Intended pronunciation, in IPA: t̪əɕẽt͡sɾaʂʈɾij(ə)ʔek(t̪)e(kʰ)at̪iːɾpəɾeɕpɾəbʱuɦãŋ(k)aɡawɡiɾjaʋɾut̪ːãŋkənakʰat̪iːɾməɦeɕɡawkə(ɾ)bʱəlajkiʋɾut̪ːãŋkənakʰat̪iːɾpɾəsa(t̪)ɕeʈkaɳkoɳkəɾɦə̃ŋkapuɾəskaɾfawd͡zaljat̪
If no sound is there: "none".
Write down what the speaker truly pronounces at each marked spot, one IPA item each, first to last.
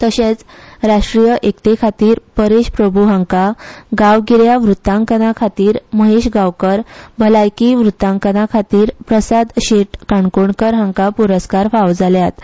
ə, t̪, kʰ, k, ɾ, d̪

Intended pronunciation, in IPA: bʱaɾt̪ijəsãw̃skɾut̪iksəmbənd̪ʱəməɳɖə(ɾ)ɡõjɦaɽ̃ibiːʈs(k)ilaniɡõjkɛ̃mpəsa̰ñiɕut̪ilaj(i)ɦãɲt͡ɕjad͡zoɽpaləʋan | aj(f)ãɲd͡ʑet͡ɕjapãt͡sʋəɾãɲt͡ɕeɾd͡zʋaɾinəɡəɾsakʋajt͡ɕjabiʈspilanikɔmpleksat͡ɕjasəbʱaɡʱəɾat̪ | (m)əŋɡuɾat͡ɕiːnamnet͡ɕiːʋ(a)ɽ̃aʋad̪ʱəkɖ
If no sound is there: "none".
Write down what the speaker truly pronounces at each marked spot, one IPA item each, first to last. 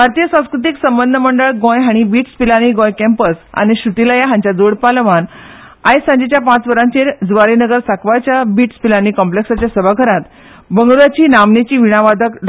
ɭ, p, a, s, b, i

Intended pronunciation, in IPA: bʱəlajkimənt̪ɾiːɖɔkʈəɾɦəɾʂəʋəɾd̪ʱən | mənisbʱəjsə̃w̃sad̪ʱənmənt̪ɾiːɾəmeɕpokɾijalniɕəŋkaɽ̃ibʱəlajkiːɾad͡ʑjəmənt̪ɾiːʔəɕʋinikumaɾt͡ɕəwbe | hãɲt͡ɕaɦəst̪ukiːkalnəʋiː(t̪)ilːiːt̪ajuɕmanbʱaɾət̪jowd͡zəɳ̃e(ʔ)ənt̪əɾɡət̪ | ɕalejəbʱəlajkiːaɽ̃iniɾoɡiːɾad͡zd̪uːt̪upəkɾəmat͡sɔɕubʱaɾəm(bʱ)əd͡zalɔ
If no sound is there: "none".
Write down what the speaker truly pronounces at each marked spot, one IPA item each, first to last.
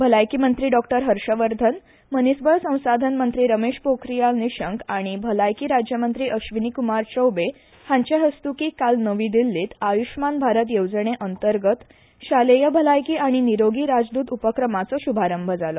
d̪, ʔ, bʱ

